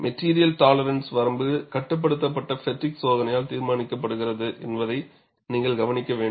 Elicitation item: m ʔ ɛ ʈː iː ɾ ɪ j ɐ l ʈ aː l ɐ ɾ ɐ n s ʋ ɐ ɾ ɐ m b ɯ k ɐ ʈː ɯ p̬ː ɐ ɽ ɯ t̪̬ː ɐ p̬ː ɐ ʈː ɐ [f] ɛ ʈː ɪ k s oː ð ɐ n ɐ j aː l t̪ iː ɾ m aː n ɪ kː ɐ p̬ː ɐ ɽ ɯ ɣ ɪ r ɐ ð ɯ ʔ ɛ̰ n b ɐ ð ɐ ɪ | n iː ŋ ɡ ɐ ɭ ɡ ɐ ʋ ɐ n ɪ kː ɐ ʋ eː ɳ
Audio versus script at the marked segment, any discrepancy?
no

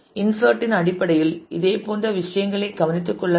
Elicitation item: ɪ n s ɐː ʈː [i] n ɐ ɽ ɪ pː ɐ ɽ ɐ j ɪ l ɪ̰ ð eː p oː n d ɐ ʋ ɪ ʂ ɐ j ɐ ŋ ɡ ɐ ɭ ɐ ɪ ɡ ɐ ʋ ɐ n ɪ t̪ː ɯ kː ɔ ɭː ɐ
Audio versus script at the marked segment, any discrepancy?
yes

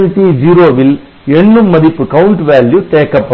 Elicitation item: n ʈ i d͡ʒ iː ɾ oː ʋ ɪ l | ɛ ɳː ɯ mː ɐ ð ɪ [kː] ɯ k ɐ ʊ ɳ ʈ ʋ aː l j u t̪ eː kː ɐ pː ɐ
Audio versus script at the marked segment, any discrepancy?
yes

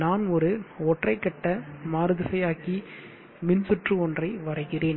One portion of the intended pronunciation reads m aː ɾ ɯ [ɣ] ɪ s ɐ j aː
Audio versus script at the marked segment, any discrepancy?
yes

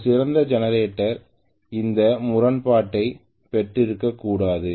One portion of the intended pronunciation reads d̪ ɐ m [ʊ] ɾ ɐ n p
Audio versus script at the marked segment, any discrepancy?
no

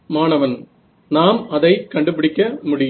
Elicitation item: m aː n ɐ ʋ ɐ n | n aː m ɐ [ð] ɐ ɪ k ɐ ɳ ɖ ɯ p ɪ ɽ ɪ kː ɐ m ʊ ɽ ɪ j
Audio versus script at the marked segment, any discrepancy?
no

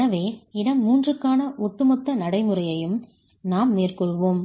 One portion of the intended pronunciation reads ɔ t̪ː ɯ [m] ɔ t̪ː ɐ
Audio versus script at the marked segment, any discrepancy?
no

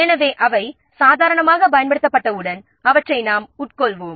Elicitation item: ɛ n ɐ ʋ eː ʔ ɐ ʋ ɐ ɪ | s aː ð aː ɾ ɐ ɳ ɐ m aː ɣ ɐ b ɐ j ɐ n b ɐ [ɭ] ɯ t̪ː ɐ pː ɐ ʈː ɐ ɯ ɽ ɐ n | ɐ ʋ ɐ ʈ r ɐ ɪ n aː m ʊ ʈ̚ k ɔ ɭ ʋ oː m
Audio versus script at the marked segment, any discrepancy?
yes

